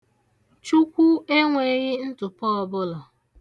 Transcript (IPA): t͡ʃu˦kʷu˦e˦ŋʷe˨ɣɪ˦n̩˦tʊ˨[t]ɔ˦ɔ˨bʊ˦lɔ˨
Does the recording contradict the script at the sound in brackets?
yes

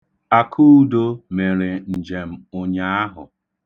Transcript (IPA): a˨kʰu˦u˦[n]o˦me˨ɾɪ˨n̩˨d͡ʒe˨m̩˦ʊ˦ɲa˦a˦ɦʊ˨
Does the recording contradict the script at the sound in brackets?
yes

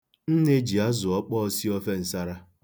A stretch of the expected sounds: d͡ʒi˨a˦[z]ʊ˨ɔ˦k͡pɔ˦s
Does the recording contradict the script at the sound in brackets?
no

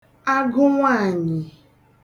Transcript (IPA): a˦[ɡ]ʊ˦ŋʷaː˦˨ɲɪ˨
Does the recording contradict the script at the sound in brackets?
no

